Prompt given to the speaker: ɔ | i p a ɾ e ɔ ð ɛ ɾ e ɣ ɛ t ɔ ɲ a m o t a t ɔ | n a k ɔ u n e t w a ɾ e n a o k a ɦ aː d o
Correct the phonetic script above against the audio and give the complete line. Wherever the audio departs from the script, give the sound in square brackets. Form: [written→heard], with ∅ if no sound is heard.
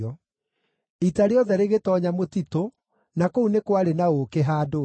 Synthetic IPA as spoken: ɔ | i [p→t] a ɾ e ɔ ð ɛ ɾ e ɣ [ɛ→e] t ɔ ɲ a m o t [a→i] t [ɔ→o] | n a k [ɔ→o] u n e [t→k] w a ɾ e n a o k [a→e] ɦ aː d o